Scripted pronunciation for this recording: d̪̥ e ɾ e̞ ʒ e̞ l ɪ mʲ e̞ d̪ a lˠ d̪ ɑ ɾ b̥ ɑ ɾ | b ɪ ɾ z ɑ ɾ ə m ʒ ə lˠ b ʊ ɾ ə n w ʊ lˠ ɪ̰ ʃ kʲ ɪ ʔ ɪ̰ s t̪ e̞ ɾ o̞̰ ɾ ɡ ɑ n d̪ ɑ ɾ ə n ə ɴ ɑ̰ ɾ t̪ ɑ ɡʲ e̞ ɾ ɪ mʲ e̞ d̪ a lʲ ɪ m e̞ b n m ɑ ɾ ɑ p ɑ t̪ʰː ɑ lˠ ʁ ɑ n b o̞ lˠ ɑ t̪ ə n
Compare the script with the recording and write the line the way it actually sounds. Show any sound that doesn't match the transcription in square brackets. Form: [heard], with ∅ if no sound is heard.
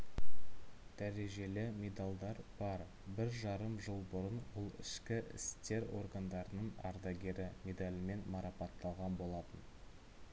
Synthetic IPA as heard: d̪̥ [æ] ɾ e̞ ʒ e̞ l ɪ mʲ e̞ d̪ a lˠ d̪ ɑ ɾ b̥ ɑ ɾ | b ɪ ɾ [ʒ] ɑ ɾ ə m ʒ ə lˠ b ʊ ɾ ə n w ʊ lˠ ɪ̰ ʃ kʲ ɪ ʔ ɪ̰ s t̪ e̞ ɾ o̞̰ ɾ ɡ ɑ n d̪ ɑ ɾ ə n ə ɴ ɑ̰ ɾ [d̪] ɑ ɡʲ e̞ ɾ ɪ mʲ e̞ d̪ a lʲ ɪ m e̞ [∅] n m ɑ ɾ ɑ p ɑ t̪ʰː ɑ lˠ ʁ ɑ n b o̞ lˠ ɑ t̪ ə n